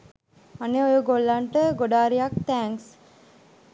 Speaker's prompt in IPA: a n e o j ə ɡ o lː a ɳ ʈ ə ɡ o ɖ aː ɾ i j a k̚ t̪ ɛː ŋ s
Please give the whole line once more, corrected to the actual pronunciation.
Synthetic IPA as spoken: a n e o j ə ɡ o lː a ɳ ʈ ə ɡ o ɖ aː ɾ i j a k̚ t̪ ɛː ŋ s